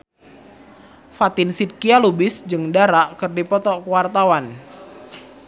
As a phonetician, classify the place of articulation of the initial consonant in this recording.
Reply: labial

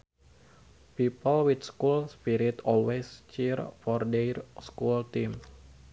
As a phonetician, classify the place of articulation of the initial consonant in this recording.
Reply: labial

